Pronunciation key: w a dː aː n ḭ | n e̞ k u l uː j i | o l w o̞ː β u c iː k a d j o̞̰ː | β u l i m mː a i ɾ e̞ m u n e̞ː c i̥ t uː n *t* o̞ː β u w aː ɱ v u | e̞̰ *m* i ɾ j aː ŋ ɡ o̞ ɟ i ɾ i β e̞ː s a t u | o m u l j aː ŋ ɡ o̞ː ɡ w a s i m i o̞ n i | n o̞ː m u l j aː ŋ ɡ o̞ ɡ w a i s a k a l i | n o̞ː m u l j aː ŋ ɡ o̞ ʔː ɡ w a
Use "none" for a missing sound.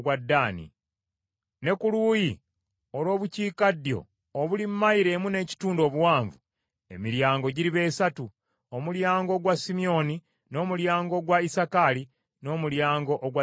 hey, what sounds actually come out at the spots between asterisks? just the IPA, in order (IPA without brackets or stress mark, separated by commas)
d, m